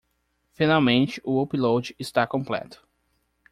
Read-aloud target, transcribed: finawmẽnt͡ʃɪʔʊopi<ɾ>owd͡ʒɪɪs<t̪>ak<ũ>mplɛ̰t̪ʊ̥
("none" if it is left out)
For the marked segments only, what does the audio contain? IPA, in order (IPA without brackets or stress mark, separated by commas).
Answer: l, t̪, õ